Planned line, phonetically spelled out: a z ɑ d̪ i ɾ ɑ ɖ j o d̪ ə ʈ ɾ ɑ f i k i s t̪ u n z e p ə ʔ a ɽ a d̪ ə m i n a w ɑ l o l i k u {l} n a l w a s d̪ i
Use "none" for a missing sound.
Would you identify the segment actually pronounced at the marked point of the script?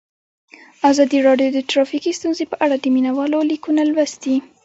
none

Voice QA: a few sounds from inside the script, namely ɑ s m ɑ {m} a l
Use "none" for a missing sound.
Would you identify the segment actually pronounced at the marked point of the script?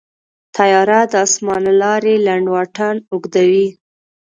n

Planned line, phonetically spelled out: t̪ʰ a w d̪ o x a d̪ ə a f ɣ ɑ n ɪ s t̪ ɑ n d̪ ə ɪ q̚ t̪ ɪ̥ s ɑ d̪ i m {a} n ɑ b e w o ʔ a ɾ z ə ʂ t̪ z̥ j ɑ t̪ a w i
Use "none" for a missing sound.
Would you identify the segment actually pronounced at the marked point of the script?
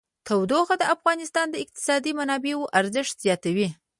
a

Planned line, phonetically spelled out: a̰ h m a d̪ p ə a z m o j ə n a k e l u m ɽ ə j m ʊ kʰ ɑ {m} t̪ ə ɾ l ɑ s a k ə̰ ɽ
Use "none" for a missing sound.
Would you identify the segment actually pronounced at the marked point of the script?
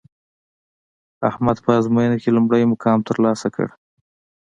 m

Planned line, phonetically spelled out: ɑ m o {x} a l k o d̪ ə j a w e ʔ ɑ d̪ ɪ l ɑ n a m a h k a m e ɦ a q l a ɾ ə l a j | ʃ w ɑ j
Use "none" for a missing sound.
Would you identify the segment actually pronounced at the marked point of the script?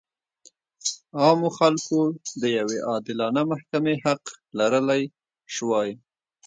x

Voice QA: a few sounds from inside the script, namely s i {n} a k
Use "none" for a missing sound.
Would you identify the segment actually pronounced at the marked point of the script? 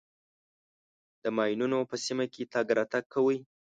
m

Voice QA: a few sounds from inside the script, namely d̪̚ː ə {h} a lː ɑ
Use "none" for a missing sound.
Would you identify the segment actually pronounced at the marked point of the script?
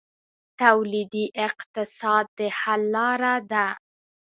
h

